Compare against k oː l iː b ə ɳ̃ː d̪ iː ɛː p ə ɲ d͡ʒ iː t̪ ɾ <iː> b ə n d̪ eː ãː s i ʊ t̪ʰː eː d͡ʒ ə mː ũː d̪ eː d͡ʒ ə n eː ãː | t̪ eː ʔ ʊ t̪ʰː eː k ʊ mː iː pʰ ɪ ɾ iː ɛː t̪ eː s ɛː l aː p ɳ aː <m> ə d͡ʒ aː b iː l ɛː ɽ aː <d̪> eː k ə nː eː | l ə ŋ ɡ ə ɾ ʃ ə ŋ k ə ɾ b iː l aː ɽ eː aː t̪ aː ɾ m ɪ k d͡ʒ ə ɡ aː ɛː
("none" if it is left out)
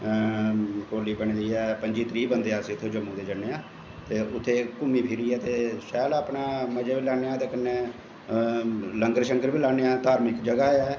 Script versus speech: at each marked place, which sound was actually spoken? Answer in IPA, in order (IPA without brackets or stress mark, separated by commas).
iː, m, t̪